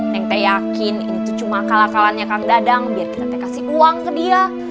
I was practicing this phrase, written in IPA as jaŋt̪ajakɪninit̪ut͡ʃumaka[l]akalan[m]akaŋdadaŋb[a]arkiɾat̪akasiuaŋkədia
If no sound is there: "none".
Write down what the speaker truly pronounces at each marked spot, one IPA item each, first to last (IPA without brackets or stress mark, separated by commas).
l, ɲ, i